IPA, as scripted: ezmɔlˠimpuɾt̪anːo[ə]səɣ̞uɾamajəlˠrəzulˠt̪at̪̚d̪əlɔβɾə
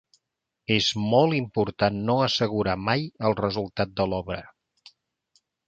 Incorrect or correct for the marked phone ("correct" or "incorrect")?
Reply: correct